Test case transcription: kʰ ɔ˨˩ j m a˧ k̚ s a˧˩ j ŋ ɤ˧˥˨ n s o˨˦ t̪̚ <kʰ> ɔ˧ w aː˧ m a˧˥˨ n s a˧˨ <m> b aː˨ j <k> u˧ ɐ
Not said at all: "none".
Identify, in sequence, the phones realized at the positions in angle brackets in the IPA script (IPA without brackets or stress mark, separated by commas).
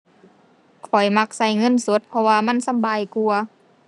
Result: pʰ, m, k